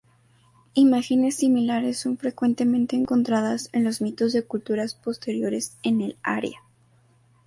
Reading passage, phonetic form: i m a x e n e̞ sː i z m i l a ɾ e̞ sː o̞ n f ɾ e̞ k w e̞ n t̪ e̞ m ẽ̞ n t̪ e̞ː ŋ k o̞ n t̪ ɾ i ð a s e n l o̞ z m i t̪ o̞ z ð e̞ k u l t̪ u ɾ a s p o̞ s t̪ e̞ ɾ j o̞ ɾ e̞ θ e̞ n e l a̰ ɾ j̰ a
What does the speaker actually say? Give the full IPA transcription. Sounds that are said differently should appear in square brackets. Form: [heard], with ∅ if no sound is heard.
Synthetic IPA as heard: i m a x e n e̞ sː i [∅] m i l a ɾ e̞ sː o̞ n f ɾ e̞ k w e̞ n t̪ e̞ m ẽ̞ n t̪ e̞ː ŋ k o̞ n t̪ ɾ [a] ð a s e n l o̞ z m i t̪ o̞ z ð e̞ k u l t̪ u ɾ a s p o̞ s t̪ e̞ ɾ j o̞ ɾ e̞ [s] e̞ n e l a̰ ɾ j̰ a